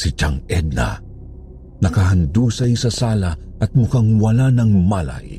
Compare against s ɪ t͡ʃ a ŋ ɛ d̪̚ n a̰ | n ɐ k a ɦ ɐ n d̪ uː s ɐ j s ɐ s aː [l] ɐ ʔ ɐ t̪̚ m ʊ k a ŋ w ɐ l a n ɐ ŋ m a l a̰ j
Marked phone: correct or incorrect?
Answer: correct